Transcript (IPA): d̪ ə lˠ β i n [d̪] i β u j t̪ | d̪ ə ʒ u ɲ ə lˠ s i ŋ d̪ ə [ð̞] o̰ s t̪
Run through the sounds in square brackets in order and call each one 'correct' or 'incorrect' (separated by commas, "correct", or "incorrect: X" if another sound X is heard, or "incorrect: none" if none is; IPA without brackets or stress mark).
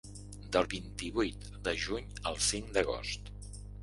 incorrect: t̪, incorrect: ɣ̞